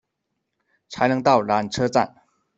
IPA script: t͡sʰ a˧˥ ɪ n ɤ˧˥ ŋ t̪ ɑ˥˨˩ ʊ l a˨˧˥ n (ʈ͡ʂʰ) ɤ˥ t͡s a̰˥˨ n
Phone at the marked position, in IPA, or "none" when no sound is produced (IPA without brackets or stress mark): ʈ͡ʂʰ